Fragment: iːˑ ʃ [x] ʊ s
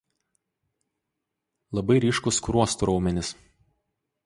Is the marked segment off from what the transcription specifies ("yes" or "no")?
yes